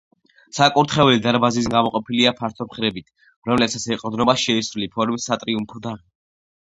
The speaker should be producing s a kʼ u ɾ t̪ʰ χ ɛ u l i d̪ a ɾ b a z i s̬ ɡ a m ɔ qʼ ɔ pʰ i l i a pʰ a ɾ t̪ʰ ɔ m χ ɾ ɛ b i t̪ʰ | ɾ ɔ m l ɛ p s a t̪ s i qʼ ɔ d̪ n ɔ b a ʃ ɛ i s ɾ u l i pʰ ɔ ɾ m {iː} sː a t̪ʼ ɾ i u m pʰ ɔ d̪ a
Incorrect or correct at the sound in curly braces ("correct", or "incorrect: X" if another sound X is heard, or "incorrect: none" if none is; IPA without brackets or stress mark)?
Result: incorrect: i